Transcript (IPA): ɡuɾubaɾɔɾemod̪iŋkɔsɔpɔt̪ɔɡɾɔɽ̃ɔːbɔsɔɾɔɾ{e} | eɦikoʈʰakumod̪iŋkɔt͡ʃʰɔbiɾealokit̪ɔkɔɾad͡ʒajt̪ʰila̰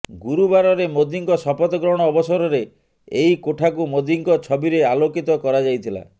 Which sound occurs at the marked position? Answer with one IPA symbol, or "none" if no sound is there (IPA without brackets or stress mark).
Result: e